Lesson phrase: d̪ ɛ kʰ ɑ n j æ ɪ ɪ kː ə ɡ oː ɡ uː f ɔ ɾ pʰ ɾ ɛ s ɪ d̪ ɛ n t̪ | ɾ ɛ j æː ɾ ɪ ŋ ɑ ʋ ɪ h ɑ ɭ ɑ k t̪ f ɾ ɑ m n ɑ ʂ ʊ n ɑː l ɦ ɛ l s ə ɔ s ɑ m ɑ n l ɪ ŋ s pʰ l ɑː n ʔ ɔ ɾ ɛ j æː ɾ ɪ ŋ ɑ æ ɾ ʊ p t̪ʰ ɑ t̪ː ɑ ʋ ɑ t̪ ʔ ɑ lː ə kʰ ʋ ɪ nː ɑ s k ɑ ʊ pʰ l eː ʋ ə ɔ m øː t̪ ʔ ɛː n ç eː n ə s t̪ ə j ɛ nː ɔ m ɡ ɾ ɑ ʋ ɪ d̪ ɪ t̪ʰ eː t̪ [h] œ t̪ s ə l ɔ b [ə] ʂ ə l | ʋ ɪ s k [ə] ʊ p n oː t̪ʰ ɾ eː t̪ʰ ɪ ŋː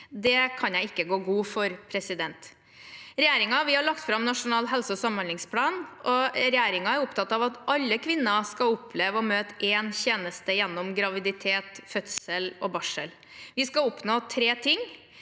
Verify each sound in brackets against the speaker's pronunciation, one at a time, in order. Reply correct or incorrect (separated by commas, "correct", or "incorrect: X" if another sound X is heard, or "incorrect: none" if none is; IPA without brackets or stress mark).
incorrect: f, incorrect: ɑ, incorrect: ɑ